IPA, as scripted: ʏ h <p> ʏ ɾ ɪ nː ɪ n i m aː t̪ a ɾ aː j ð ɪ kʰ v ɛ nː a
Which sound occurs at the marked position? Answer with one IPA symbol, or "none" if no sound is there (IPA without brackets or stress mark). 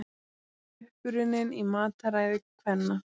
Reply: p